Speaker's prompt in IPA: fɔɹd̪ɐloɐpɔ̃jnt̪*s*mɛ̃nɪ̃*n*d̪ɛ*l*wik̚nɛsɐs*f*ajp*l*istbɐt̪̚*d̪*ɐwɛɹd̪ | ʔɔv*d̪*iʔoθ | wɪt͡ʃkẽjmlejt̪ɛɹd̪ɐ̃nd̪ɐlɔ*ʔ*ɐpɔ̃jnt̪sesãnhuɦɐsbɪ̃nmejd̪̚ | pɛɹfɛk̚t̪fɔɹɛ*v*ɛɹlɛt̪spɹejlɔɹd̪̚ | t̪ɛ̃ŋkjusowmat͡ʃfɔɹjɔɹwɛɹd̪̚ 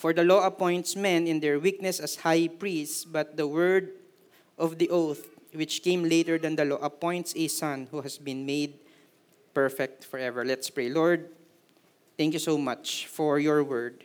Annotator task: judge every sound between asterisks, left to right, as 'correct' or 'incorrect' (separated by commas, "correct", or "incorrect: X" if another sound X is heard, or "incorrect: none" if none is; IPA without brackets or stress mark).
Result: correct, correct, incorrect: ɹ, incorrect: h, incorrect: ɹ, correct, correct, correct, correct